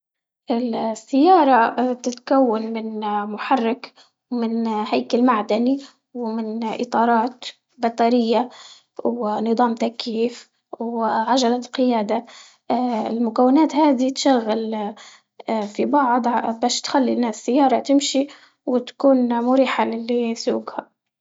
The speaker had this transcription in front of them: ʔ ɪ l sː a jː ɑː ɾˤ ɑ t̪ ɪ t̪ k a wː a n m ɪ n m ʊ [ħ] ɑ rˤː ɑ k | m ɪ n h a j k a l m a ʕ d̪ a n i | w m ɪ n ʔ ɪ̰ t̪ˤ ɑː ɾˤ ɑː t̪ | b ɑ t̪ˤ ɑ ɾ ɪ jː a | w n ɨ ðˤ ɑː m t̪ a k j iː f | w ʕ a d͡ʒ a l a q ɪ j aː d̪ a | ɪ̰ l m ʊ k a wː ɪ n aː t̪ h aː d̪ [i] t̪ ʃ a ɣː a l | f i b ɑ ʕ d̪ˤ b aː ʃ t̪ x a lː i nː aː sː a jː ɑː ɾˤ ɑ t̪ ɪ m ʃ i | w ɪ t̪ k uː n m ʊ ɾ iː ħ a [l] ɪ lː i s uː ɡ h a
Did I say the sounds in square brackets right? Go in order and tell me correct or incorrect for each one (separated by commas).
correct, correct, correct